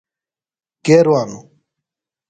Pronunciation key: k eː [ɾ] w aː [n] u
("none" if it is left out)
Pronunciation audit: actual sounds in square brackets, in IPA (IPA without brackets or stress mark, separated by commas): ɾ, n